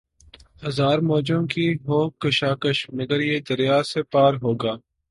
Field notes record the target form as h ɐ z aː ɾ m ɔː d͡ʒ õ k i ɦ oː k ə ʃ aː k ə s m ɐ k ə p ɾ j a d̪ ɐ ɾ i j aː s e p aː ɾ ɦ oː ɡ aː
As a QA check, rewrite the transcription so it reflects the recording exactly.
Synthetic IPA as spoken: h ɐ z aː ɾ m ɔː d͡ʒ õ k i ɦ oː k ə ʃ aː k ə ʃ m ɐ ɡ ə ɾ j e d̪ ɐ ɾ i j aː s e p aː ɾ ɦ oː ɡ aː